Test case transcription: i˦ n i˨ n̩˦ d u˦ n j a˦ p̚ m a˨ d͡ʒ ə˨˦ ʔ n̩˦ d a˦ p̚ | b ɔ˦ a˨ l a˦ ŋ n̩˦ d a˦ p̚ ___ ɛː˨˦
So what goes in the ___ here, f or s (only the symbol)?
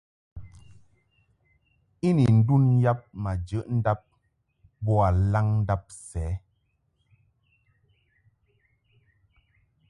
s